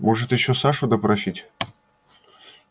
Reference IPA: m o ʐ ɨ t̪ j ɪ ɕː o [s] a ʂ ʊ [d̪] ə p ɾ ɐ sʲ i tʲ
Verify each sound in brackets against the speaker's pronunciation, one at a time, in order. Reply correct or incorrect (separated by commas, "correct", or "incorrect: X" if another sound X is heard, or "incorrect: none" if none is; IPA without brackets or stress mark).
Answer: correct, correct